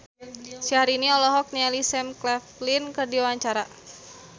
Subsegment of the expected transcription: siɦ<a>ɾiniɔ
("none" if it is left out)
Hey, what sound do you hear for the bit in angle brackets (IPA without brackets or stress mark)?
a